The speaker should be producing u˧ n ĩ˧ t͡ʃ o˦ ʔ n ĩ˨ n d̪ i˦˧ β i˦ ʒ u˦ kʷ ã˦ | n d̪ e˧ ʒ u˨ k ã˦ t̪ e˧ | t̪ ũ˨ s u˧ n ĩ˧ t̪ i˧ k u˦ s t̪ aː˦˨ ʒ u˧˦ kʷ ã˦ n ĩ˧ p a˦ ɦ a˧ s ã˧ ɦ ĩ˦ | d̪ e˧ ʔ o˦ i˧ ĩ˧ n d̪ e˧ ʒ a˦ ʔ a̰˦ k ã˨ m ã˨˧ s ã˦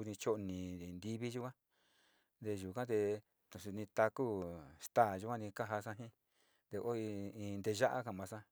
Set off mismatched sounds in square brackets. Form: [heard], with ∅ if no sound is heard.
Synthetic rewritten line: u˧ n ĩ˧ t͡ʃ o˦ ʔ n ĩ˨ n d̪ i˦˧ β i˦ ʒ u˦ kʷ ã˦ | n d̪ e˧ ʒ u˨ k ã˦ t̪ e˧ | t̪ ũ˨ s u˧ n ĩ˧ t̪ [a˧] k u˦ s t̪ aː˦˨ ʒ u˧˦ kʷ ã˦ n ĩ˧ [k] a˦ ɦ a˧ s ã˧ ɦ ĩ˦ | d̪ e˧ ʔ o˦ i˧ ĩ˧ n d̪ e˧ ʒ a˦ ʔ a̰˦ k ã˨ m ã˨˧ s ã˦